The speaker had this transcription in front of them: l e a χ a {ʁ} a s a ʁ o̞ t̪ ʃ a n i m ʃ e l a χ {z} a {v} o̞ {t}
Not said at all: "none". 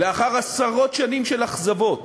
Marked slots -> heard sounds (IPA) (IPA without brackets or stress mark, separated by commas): ʁ, z, v, t